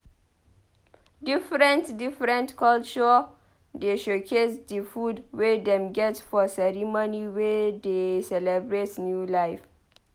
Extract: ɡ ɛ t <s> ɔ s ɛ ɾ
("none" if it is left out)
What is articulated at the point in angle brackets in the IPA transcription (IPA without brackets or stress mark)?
f